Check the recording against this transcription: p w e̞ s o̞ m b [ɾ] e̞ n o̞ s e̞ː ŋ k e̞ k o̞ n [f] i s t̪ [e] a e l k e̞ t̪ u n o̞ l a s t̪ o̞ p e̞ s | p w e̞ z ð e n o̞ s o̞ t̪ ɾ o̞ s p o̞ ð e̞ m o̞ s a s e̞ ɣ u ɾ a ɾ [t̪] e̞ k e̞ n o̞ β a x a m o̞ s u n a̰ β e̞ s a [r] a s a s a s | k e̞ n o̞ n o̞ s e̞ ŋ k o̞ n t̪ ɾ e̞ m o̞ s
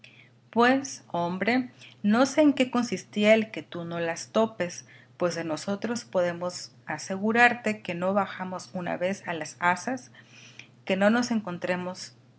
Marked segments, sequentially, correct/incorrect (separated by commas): correct, incorrect, incorrect, correct, incorrect